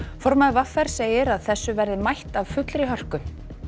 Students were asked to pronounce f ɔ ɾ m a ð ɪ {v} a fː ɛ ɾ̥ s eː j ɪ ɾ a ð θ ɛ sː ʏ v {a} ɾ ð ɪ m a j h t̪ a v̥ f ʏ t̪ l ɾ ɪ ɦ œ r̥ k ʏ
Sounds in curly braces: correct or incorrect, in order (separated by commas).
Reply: correct, incorrect